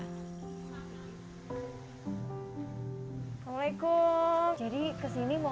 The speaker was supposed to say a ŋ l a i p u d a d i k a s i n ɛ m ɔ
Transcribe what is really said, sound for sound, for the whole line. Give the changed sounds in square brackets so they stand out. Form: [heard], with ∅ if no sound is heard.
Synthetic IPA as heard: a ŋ l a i [k] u [d͡ʒ] a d i k [ə] s i n [i] m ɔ